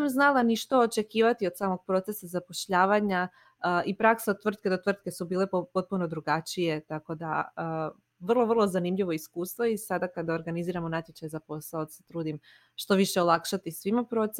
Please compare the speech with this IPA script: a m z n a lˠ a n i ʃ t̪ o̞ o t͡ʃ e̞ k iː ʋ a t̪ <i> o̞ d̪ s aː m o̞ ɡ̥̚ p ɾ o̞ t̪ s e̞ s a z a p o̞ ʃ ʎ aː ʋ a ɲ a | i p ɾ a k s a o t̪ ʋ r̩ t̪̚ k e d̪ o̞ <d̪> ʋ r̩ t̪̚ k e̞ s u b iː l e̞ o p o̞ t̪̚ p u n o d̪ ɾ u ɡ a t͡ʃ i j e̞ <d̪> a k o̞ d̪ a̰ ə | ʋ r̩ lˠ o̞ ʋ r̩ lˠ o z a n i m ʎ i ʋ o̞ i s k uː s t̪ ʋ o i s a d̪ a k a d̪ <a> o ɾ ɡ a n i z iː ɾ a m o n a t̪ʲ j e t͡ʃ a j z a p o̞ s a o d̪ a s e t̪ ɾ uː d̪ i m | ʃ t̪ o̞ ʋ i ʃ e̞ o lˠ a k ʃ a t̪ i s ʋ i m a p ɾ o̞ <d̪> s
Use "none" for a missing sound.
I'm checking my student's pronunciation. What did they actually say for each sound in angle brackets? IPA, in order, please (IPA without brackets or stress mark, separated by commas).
i, t̪, t̪, a, t̪